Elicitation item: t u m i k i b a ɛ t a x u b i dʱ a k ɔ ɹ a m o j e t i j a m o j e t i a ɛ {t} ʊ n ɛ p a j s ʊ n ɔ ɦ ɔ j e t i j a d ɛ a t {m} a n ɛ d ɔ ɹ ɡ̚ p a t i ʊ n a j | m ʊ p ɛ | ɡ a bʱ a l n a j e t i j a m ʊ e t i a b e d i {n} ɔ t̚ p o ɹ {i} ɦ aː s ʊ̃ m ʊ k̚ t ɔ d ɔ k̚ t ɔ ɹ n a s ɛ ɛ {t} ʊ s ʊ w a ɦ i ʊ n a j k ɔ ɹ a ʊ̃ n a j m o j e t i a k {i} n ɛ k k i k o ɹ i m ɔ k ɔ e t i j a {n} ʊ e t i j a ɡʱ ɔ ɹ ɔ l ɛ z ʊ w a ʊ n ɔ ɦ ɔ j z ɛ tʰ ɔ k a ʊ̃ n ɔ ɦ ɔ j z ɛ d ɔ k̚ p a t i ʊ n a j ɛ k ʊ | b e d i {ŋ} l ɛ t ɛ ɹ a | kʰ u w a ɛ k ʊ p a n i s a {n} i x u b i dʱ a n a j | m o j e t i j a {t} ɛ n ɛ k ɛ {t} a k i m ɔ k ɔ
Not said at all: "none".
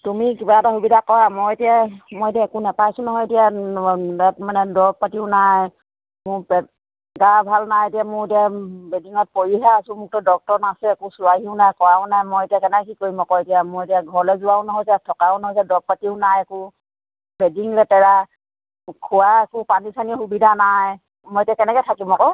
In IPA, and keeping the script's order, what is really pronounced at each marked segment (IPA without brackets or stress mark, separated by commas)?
k, m, ŋ, i, k, ɛ, m, ŋ, n, k, tʰ